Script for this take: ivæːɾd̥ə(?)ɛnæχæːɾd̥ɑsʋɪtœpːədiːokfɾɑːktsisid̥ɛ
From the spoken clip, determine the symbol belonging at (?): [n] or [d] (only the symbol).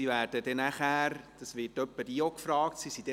d